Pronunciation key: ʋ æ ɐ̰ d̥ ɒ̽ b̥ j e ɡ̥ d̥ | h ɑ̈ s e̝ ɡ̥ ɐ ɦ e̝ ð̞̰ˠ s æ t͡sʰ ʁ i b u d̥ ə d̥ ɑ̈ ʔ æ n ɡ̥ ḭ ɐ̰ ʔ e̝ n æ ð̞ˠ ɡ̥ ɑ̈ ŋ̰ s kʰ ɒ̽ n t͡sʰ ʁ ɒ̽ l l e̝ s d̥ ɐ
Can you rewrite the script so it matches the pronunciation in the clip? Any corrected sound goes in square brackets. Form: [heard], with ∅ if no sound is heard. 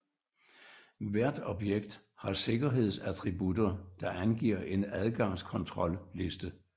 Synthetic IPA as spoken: ʋ æ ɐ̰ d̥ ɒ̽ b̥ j e ɡ̥ d̥ | h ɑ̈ s e̝ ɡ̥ ɐ ɦ e̝ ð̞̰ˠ s æ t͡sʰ ʁ i b u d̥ [ɐ] d̥ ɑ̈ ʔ æ n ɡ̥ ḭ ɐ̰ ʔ e̝ n æ ð̞ˠ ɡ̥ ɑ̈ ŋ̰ s kʰ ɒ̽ n t͡sʰ ʁ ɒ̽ l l e̝ s d̥ [ə]